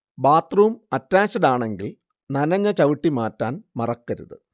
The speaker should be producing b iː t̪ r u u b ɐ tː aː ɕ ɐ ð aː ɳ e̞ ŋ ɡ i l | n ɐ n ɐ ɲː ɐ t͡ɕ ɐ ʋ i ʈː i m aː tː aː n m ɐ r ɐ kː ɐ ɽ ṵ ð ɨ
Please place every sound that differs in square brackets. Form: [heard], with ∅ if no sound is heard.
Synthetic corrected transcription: b [aː] t̪ r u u [m] ɐ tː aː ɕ ɐ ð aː ɳ e̞ ŋ ɡ i l | n ɐ n ɐ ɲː ɐ t͡ɕ ɐ ʋ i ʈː i m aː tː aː n m ɐ r ɐ kː ɐ [ɾ] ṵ ð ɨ